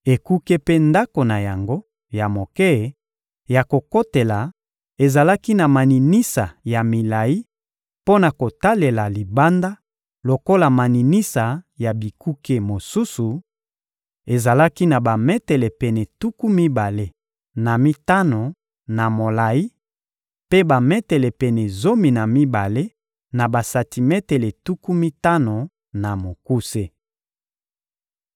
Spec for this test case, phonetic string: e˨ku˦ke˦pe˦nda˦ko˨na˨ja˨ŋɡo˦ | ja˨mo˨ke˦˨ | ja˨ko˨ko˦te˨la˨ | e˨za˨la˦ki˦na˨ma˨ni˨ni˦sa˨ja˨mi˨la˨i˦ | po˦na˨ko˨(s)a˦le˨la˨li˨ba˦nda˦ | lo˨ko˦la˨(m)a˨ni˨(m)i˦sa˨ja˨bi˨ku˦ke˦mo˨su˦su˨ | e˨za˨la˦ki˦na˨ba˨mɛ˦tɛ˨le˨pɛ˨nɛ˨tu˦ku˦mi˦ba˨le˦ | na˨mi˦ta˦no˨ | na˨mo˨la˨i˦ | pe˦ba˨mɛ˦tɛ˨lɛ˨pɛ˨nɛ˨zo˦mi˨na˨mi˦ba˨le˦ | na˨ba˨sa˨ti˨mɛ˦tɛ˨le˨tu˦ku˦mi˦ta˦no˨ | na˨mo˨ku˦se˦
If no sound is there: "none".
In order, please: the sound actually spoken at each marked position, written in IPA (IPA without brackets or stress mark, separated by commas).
t, m, n